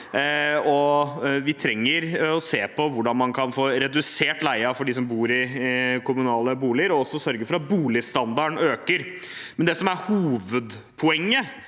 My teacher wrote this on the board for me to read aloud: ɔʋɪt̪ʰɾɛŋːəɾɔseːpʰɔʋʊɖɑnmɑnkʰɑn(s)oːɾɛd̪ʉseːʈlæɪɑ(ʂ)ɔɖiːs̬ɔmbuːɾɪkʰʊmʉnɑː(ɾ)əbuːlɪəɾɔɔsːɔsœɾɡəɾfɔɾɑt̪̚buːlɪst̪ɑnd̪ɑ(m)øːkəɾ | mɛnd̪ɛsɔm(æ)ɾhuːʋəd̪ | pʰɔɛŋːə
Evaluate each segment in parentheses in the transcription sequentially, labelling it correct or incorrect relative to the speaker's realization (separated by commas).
incorrect, incorrect, incorrect, incorrect, correct